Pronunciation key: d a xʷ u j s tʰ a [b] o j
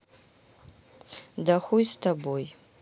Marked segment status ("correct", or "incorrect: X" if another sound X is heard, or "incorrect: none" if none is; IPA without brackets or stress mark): correct